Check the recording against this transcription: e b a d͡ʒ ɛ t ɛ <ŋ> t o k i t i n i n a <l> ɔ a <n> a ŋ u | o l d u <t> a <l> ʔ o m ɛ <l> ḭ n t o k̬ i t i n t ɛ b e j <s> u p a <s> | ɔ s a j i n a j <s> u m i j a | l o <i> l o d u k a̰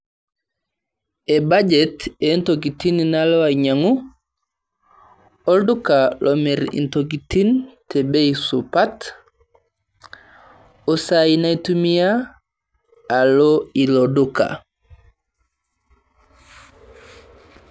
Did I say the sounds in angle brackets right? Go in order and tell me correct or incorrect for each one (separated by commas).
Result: incorrect, correct, incorrect, incorrect, correct, incorrect, correct, incorrect, incorrect, correct